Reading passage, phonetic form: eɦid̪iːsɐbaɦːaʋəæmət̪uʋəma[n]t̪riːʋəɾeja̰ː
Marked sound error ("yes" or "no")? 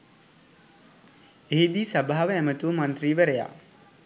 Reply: no